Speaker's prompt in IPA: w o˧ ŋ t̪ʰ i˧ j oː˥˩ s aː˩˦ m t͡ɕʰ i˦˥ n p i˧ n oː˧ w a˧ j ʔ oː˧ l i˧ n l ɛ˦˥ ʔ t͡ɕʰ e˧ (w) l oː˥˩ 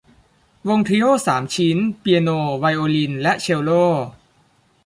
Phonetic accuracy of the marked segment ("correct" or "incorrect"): correct